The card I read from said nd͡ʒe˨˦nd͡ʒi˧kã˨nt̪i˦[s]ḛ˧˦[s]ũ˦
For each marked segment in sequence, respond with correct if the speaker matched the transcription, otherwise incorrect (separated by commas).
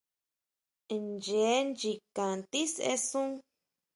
correct, correct